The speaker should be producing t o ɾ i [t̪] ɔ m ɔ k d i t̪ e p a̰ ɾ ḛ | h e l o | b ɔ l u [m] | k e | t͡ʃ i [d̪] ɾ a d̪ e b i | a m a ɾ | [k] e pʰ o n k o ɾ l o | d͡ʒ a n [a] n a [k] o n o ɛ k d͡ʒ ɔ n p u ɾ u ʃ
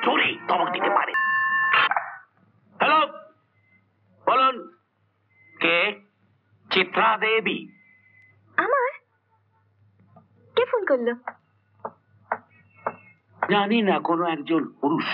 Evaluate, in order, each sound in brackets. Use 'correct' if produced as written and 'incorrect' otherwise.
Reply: correct, incorrect, incorrect, correct, incorrect, correct

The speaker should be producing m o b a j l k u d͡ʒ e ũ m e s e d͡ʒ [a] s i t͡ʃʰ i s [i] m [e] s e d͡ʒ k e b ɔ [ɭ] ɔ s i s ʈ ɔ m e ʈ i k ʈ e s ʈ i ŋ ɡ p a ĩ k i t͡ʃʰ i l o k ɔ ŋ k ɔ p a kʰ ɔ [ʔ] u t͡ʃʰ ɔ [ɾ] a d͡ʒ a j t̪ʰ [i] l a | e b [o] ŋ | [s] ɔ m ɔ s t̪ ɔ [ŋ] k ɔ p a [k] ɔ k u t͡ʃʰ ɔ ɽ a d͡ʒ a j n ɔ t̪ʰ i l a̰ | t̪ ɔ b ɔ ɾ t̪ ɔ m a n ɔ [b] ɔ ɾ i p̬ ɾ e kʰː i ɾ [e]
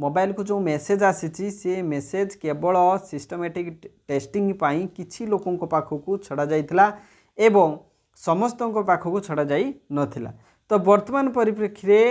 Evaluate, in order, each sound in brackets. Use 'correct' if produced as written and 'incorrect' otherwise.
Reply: correct, incorrect, correct, correct, incorrect, incorrect, correct, incorrect, correct, correct, incorrect, incorrect, correct

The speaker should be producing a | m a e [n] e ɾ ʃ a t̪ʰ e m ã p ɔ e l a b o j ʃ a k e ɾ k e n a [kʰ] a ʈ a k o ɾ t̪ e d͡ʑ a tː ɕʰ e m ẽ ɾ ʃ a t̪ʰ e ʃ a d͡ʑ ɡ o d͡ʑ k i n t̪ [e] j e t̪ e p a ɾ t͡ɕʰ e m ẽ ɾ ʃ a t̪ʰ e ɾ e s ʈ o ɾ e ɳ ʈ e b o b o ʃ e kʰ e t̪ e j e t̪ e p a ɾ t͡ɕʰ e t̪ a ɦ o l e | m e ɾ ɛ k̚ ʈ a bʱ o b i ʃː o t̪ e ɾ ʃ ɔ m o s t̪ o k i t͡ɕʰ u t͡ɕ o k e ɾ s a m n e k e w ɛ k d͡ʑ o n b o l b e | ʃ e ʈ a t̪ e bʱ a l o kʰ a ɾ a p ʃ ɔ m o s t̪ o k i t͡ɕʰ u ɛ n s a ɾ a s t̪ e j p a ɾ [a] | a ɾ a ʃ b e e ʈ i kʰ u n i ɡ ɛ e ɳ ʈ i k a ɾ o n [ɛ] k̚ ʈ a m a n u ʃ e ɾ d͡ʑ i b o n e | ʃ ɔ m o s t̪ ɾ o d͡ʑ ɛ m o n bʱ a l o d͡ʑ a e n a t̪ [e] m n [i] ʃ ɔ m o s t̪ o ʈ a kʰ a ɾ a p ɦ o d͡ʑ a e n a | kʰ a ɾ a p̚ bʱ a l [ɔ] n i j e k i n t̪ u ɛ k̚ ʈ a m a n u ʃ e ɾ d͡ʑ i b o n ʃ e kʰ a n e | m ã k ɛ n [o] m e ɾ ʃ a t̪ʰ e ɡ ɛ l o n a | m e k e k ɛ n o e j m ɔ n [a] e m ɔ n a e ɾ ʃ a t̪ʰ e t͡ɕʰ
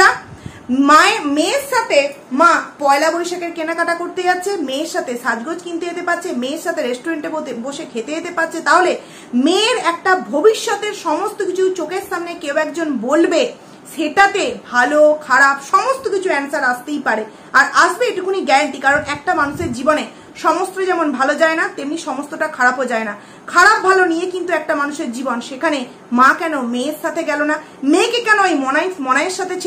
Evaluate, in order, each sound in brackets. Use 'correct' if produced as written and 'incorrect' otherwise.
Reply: incorrect, incorrect, correct, incorrect, correct, correct, correct, incorrect, correct, correct

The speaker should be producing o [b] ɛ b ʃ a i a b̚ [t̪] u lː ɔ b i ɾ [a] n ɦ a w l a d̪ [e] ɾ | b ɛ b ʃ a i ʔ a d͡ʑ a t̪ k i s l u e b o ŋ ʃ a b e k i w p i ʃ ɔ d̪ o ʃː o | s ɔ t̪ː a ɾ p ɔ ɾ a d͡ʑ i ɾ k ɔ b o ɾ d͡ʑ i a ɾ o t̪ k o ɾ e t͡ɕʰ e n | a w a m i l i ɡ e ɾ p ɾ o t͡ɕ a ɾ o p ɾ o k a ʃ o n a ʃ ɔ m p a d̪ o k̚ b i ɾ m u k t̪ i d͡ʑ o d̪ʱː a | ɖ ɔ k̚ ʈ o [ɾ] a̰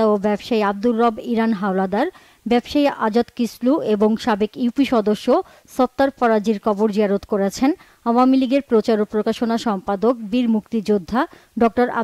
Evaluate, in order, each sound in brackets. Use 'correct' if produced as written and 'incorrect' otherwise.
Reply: correct, incorrect, correct, incorrect, correct

